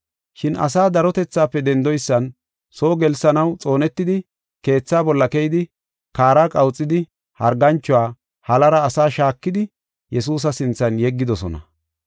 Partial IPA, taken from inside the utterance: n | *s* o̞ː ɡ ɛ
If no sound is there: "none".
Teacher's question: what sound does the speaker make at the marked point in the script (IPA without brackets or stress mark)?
s